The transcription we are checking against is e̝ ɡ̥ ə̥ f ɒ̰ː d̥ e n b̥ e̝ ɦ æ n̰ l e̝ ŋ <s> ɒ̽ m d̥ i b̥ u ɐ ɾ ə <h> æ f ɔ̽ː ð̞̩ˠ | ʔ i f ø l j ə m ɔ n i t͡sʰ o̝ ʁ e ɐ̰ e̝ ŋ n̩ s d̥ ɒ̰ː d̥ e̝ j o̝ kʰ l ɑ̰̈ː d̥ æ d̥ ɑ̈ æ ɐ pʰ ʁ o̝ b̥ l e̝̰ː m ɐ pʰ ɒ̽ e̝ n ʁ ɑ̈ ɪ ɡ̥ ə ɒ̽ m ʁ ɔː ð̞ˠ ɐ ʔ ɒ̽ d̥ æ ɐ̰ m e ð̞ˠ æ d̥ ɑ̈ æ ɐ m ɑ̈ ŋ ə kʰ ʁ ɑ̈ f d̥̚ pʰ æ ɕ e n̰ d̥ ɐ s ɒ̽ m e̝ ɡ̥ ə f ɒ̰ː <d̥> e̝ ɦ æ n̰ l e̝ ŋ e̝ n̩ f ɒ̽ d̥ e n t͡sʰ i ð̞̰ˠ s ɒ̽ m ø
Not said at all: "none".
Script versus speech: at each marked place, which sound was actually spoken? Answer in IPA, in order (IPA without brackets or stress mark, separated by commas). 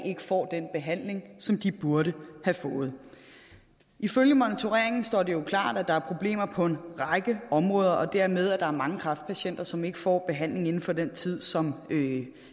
s, h, b̥